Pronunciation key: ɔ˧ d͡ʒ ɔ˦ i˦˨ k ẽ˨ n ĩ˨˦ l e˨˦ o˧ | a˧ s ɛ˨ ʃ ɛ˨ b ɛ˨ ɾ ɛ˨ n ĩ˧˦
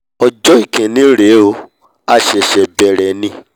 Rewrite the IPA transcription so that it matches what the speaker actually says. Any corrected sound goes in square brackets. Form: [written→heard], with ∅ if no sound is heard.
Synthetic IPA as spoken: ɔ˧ d͡ʒ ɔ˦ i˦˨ k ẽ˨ n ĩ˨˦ [l→ɾ] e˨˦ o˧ | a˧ [s→ʃ] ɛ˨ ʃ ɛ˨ b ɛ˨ ɾ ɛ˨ n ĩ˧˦